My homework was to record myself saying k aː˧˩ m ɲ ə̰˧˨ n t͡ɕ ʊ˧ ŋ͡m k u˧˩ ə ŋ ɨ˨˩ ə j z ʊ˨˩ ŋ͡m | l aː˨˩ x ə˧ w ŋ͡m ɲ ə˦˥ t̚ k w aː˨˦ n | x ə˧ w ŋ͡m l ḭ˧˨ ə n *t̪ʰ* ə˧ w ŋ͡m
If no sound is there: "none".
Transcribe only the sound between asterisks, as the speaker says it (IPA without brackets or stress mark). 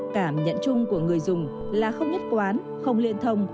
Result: t̪ʰ